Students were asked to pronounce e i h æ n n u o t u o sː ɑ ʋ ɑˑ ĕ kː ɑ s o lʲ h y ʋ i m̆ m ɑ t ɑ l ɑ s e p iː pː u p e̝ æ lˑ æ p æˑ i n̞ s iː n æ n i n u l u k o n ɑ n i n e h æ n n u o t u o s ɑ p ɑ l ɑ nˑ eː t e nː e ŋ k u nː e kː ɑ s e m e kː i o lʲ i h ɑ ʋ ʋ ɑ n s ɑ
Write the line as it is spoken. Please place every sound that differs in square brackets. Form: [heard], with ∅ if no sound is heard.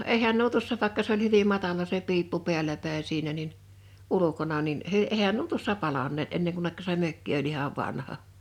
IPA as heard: e i h æ n n u o t u o sː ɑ ʋ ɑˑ ĕ kː ɑ s o lʲ h y ʋ i m̆ m ɑ t ɑ l ɑ s e p iː pː u p e̝ æ lˑ æ p æˑ i n̞ s iː n æ n i n u l u k o n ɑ n i n e h æ n n u o t u o [sː] ɑ p ɑ l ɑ nˑ eː t e nː e ŋ k u nː e kː ɑ s e m [ø] kː i o lʲ i h ɑ ʋ ʋ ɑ n [h] ɑ